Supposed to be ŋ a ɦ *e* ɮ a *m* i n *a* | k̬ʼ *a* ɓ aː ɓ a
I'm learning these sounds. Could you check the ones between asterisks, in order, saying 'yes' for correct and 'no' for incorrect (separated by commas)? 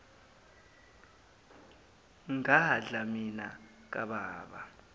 no, yes, yes, yes